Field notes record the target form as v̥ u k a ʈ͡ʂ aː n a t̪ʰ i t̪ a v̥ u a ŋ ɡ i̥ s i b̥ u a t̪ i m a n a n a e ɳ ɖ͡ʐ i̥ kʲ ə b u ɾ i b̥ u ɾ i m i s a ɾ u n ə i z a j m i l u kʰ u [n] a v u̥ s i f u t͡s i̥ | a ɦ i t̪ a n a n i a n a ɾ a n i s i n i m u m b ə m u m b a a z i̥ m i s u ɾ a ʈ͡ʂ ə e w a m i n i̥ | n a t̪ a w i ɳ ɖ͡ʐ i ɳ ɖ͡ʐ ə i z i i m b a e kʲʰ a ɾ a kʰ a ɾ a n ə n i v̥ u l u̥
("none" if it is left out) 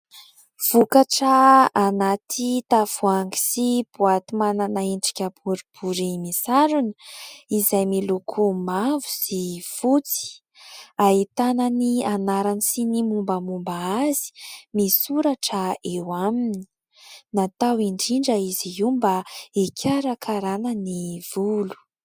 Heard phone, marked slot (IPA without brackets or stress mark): m